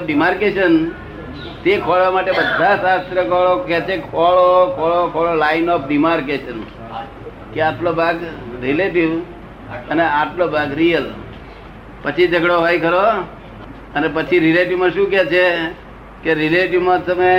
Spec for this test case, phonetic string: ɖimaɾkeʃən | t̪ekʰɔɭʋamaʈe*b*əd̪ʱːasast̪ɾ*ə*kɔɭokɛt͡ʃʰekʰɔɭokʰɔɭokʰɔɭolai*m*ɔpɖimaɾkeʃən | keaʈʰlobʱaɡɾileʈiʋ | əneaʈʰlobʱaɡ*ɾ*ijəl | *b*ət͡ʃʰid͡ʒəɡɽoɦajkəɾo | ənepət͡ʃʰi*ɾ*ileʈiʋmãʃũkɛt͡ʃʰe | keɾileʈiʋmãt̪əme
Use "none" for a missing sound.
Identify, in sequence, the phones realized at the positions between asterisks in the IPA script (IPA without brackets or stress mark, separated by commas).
b, ə, n, ɾ, p, ɾ